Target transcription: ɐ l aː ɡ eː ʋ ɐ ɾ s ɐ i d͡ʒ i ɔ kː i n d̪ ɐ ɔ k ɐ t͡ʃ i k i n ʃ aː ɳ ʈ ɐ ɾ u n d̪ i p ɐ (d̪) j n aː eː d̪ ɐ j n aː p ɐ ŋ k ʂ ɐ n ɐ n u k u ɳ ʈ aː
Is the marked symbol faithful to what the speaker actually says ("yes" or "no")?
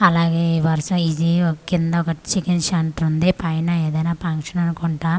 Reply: no